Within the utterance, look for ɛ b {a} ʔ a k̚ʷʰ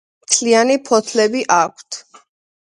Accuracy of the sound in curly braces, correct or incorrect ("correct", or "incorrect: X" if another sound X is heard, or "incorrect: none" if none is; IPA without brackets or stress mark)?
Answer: incorrect: i